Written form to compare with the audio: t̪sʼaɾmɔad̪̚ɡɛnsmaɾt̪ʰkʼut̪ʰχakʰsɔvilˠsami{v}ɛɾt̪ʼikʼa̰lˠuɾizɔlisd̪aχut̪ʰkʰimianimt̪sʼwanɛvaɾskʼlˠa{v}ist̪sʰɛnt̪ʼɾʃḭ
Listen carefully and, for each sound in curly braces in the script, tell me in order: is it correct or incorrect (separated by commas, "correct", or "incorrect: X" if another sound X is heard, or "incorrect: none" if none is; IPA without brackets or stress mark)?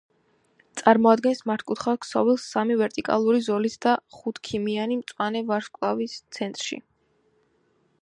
correct, correct